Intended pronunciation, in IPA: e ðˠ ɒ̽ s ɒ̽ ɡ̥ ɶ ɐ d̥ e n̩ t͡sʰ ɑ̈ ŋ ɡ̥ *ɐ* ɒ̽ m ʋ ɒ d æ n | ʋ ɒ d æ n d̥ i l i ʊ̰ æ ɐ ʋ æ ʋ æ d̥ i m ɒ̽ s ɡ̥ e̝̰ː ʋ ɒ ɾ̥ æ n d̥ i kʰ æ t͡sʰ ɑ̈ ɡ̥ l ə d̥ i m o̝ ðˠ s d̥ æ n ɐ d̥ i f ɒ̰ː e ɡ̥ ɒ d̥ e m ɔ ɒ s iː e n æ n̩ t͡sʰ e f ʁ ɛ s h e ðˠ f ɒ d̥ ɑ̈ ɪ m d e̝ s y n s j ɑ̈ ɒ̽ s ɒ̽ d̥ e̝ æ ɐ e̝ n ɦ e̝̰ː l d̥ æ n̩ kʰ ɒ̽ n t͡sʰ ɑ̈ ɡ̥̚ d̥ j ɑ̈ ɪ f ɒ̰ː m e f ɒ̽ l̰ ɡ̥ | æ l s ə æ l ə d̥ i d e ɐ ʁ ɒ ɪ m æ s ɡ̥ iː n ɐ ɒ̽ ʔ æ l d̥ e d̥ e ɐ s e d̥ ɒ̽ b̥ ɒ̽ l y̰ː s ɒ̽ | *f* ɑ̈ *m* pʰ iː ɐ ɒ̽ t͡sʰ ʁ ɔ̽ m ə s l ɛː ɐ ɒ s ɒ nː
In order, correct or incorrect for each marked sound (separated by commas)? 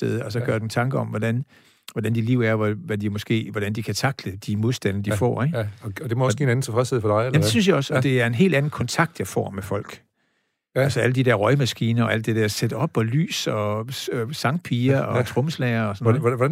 incorrect, incorrect, incorrect